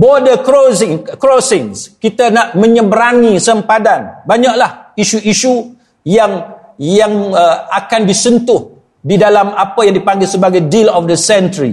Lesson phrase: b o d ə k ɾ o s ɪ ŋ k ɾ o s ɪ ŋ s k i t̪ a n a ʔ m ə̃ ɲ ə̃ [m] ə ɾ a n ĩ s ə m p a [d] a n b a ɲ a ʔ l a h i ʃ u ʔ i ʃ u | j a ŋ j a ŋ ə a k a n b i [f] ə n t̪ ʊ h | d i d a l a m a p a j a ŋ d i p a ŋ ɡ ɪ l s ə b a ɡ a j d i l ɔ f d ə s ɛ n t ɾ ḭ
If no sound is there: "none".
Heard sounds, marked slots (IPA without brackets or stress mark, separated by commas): b, d, s